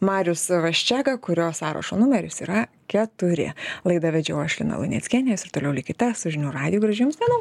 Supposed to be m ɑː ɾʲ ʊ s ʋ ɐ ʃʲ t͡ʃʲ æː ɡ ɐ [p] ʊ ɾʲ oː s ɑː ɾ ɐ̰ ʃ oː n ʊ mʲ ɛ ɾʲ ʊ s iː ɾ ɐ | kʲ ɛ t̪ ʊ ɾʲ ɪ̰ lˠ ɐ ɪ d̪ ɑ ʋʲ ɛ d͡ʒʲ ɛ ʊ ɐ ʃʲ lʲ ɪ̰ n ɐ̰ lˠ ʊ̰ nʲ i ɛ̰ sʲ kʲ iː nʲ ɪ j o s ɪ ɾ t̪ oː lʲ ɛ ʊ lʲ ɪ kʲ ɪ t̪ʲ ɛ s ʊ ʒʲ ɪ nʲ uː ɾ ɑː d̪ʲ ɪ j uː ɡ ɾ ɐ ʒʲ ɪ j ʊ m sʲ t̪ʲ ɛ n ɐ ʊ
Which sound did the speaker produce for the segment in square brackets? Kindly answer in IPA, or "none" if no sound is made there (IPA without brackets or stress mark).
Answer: k